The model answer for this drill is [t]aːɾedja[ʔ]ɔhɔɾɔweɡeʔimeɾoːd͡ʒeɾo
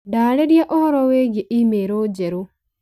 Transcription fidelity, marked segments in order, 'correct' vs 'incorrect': incorrect: d, correct

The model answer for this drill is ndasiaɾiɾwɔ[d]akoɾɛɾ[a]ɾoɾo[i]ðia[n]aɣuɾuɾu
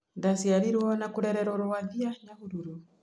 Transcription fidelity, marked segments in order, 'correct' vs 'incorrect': incorrect: n, incorrect: ɛ, incorrect: a, incorrect: ɲ

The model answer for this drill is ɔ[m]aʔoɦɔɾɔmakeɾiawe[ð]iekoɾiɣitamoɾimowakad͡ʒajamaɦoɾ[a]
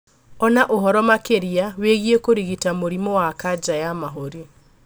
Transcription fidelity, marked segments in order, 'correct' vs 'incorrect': incorrect: n, incorrect: ɣ, incorrect: i

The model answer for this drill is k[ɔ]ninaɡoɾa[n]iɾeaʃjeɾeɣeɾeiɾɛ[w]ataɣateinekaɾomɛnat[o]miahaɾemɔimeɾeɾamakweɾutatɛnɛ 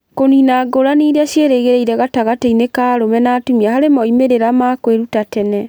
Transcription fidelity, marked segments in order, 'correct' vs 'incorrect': incorrect: o, correct, incorrect: ɣ, incorrect: u

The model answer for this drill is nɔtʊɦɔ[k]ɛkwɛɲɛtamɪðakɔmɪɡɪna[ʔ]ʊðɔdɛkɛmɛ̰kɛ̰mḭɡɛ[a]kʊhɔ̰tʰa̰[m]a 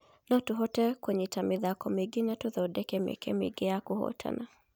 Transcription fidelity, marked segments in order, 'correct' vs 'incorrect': incorrect: t, incorrect: t, correct, incorrect: n

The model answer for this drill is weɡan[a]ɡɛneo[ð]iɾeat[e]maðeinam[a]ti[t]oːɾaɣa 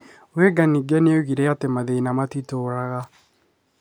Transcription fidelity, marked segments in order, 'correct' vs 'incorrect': incorrect: i, incorrect: ɣ, correct, correct, correct

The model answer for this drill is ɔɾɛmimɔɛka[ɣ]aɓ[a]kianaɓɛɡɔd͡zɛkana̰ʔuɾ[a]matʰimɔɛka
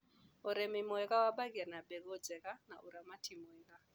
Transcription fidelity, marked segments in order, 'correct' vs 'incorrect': incorrect: w, correct, correct

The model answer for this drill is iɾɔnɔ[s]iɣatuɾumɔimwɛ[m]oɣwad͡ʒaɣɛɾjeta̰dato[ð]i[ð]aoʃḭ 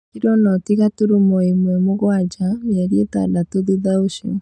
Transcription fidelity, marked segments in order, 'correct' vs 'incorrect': incorrect: t, correct, correct, correct

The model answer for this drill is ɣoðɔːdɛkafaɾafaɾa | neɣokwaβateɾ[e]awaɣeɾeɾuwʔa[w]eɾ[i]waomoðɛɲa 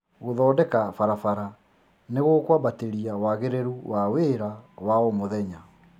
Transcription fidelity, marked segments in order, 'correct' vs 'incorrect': incorrect: i, correct, incorrect: a

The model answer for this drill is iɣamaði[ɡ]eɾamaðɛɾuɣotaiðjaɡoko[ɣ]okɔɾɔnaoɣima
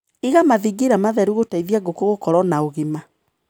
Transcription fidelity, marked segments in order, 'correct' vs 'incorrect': correct, correct

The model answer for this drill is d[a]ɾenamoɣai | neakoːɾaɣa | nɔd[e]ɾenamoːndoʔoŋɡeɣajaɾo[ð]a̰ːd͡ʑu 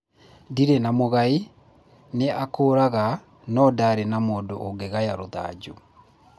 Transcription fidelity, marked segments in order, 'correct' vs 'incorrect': incorrect: i, incorrect: a, correct

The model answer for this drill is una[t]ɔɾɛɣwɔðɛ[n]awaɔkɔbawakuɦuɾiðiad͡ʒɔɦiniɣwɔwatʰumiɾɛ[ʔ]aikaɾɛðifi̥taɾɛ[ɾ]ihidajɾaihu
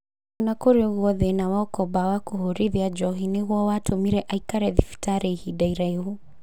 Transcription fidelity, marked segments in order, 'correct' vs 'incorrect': incorrect: k, correct, correct, incorrect: none

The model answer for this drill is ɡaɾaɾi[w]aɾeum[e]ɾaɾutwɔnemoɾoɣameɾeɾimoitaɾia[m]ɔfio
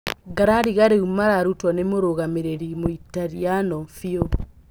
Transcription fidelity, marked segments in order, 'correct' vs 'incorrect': incorrect: ɣ, incorrect: a, incorrect: n

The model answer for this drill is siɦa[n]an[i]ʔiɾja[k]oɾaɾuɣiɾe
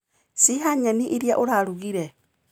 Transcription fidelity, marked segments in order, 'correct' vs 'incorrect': incorrect: ɲ, correct, incorrect: ʔ

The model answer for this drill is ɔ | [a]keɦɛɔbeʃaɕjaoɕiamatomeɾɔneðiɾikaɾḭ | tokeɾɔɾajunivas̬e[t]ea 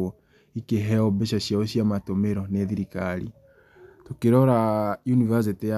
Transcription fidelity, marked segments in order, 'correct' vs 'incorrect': incorrect: i, correct

